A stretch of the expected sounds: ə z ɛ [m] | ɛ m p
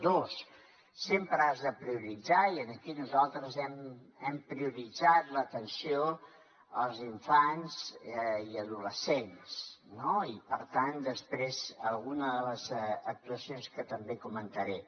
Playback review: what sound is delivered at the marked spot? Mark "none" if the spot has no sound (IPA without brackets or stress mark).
m